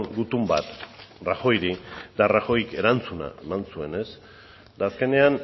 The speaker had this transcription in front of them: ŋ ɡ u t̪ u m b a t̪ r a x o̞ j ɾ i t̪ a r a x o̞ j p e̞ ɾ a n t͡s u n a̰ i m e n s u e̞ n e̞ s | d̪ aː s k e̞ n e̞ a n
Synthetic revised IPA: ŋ ɡ u t̪ u m b a t̪ r a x o̞ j ɾ i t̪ a r a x o̞ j k e̞ ɾ a n t͡s u n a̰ e m a n s u e̞ n e̞ s | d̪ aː s k e̞ n e̞ a n